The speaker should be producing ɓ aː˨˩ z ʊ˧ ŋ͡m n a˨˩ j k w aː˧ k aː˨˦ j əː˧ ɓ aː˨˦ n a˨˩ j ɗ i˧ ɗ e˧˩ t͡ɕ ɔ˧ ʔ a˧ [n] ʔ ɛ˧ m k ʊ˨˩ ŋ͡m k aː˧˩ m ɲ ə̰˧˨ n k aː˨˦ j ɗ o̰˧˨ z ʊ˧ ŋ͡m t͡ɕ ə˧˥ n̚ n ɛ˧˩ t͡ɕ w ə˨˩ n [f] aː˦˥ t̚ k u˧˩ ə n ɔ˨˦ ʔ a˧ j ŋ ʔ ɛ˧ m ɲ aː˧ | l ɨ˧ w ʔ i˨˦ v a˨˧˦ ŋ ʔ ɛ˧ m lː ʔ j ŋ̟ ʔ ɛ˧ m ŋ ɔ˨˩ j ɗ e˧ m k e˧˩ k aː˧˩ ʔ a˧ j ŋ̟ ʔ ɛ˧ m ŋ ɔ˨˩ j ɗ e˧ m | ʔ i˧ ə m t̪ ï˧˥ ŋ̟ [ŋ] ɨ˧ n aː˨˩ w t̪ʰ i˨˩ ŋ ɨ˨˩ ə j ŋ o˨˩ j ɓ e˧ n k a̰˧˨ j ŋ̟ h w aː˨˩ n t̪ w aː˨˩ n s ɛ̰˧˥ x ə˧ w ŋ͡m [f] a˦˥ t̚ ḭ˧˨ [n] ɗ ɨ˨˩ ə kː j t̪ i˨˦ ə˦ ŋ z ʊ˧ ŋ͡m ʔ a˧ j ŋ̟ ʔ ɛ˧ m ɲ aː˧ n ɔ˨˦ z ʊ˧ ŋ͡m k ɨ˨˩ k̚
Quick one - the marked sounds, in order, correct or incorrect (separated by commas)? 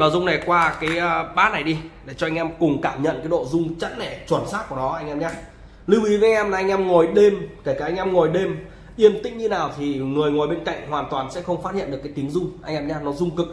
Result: incorrect, incorrect, incorrect, correct, correct